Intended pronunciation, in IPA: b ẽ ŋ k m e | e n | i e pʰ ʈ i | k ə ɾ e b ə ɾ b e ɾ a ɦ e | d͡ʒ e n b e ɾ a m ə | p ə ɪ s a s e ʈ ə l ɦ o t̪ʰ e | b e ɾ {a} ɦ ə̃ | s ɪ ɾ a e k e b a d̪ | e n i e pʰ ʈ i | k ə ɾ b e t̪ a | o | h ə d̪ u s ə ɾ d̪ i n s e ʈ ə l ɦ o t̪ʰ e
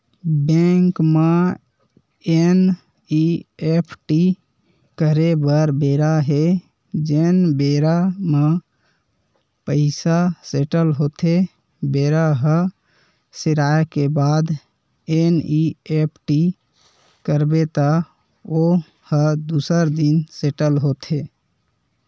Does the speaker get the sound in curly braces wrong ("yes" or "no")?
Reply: no